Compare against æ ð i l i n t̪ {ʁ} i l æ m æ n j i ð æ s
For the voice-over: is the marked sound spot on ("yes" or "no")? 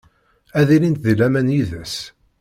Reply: no